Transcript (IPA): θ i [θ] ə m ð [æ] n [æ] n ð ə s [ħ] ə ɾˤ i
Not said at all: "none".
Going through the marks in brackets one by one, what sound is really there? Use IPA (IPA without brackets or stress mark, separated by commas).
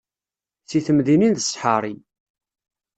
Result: θ, i, i, ħ